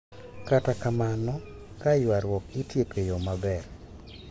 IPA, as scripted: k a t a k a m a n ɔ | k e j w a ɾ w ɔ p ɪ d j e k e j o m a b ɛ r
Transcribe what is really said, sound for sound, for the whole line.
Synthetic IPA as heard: k a t a k a m a n ɔ | k a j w a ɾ w ɔ k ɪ t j e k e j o m a b ɛ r